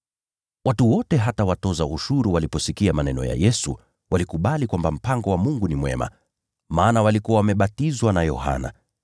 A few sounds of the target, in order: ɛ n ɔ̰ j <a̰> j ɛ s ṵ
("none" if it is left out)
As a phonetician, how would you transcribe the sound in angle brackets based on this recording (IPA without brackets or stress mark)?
a̰